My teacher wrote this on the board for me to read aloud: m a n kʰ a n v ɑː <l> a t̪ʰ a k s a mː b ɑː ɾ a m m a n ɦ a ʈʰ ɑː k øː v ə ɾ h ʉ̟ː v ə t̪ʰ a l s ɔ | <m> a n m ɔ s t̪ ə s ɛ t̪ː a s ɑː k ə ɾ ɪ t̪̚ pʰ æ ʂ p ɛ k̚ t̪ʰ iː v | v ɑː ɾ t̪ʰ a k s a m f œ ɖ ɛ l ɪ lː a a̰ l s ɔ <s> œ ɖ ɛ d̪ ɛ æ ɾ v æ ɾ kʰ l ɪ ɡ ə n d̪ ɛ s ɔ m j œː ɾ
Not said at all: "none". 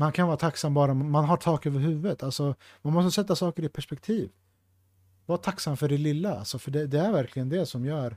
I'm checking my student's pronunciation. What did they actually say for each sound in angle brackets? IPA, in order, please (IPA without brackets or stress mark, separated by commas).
ɾ, m, f